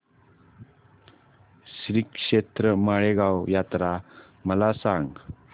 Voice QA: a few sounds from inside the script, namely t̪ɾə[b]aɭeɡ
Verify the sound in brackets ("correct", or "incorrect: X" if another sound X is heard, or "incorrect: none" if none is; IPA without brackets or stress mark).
incorrect: m